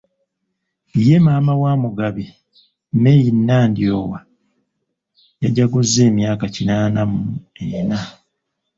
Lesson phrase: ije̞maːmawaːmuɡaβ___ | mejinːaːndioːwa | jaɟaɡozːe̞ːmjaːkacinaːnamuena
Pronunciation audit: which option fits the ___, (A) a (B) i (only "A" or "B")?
B